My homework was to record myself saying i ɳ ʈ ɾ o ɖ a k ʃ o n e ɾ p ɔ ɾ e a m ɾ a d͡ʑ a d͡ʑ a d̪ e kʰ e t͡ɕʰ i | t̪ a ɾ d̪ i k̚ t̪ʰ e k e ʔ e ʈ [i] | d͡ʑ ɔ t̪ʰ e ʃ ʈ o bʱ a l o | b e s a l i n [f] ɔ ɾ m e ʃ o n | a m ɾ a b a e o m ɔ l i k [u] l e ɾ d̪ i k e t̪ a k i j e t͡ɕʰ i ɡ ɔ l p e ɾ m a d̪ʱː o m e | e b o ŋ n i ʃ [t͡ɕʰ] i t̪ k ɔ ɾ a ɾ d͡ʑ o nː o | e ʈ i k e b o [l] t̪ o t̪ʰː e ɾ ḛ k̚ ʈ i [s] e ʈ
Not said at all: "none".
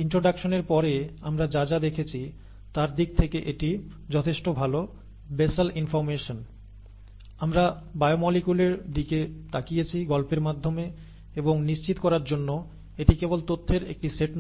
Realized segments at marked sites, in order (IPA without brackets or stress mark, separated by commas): i, f, u, t͡ɕ, l, s